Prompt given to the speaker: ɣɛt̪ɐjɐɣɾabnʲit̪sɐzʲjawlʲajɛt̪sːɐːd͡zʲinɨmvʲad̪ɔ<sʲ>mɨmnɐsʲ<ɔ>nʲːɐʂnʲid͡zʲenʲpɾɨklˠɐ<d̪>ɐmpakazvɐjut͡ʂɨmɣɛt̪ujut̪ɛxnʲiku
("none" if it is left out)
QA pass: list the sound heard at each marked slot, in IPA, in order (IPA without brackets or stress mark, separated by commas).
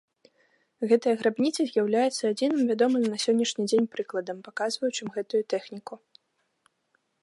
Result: none, ɔ, d̪